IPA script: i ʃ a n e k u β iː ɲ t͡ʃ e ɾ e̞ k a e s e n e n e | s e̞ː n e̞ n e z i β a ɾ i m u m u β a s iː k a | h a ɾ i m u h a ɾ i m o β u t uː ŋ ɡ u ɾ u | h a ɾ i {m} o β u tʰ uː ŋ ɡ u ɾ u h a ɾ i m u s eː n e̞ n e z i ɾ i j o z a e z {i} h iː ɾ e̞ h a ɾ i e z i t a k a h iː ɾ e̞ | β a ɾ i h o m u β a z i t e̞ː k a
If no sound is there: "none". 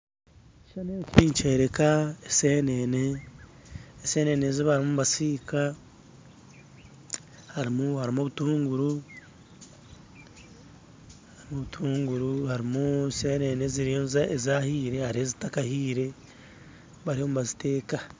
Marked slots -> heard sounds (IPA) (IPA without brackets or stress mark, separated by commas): m, a